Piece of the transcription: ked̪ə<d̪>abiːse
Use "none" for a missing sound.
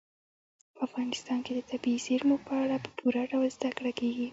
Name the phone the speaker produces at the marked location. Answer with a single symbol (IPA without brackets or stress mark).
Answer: t̪